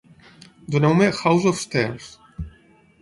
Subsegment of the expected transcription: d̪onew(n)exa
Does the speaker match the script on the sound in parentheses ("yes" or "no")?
no